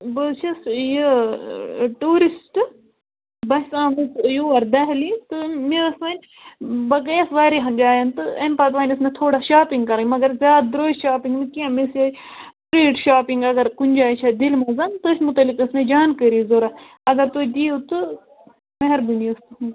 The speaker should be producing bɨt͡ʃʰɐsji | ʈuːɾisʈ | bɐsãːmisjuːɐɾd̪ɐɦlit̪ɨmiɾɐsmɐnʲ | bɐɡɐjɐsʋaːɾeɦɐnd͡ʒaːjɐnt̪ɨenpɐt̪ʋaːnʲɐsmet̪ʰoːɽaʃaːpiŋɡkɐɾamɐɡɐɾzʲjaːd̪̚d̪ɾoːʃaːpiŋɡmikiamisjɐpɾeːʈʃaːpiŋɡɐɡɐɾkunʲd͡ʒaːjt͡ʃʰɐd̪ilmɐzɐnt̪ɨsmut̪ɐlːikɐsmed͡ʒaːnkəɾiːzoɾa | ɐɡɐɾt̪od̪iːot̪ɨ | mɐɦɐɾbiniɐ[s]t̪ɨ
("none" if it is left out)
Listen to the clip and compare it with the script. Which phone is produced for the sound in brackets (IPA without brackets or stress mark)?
s